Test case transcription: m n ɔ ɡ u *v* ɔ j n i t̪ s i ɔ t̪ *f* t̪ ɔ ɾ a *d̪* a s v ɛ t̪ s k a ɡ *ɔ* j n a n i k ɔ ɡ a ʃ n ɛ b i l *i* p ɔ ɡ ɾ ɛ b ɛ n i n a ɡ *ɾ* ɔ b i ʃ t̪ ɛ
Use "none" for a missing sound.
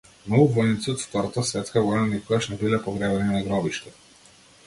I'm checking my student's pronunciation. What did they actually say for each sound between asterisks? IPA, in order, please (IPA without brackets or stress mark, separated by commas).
v, f, t̪, ɔ, ɛ, ɾ